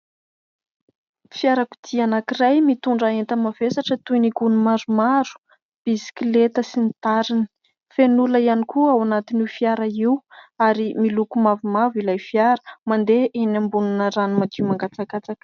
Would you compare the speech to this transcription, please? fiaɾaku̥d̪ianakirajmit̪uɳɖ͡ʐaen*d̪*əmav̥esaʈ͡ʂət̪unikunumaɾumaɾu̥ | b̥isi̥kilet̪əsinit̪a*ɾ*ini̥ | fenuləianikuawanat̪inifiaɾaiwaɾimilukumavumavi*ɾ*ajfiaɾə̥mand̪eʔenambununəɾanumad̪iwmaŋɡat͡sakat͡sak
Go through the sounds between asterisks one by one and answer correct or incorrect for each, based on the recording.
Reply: incorrect: t̪, correct, incorrect: l

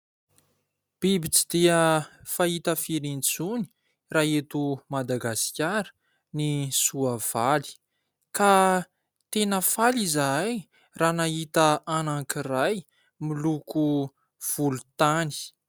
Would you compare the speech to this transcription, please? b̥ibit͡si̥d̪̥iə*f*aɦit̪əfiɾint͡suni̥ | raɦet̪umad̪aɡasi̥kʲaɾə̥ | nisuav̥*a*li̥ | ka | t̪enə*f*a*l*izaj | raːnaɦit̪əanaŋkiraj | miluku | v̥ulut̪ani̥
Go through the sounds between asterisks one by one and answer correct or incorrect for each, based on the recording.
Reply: correct, correct, correct, correct

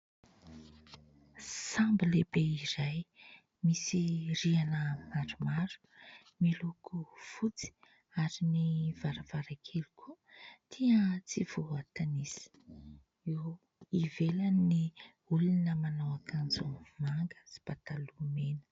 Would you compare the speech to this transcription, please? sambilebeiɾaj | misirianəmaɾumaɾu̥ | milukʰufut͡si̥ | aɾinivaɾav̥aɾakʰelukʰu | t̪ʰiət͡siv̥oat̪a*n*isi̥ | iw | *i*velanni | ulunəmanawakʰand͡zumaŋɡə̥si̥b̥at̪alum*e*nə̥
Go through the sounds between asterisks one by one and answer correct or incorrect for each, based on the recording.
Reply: correct, correct, correct

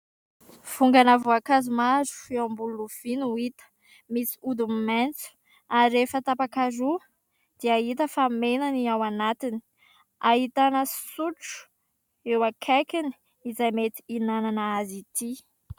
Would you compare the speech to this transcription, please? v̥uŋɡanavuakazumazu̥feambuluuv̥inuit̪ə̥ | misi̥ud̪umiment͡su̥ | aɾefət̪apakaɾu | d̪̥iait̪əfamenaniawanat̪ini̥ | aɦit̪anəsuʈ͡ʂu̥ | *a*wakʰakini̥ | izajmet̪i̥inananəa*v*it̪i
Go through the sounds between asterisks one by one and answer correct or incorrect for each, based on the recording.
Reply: incorrect: e, incorrect: z

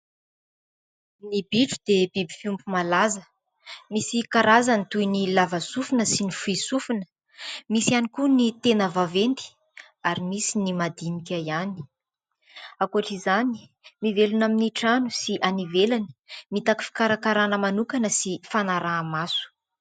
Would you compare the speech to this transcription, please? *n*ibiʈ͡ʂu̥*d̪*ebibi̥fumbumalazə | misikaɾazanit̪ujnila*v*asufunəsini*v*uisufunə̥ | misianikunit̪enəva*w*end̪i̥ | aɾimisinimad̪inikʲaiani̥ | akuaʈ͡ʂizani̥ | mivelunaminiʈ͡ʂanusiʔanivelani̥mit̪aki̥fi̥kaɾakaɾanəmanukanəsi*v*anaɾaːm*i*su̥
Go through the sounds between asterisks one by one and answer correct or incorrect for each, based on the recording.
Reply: correct, correct, correct, incorrect: f, incorrect: v, incorrect: f, incorrect: a

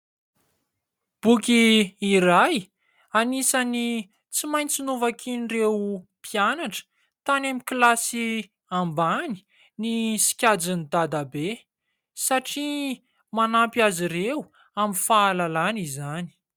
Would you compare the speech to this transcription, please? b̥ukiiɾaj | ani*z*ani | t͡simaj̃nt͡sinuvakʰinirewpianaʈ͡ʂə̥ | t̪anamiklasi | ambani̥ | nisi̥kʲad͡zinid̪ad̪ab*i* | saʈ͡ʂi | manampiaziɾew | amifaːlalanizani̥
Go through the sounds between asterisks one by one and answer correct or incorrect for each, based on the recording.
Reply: incorrect: s, incorrect: e

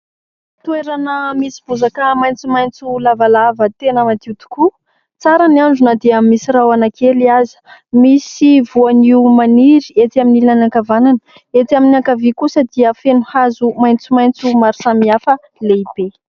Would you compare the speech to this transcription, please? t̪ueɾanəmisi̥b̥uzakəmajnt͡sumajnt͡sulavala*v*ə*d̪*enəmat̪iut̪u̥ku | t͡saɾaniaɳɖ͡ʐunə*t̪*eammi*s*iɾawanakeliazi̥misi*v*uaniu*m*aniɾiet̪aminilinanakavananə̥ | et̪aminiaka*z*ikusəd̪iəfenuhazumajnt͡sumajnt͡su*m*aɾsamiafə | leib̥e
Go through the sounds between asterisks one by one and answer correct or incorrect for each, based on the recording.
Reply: correct, incorrect: t̪, incorrect: d̪, correct, correct, correct, incorrect: v, correct

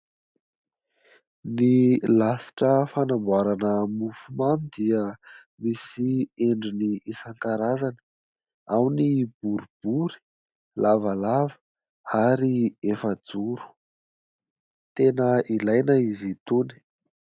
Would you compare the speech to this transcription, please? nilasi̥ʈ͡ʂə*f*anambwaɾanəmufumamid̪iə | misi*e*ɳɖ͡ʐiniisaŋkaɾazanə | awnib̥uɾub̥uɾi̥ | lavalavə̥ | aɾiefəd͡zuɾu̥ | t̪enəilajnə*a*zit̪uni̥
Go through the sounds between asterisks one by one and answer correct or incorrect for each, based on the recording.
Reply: correct, correct, incorrect: i

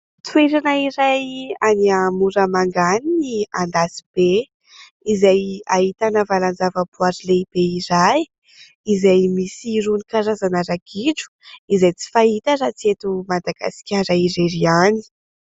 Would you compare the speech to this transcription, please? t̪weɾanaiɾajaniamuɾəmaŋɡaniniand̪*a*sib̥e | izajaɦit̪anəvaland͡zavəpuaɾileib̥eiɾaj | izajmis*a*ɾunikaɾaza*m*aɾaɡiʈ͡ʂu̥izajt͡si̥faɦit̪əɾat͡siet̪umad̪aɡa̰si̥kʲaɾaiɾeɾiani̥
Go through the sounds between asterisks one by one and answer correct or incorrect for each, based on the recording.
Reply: correct, incorrect: i, incorrect: n

